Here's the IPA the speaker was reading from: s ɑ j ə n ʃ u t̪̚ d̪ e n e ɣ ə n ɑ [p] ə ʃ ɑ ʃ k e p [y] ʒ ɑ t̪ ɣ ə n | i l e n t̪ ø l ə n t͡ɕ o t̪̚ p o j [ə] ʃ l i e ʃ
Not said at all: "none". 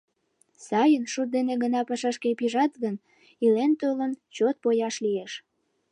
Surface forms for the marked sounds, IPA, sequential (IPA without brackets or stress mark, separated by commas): p, i, ɑ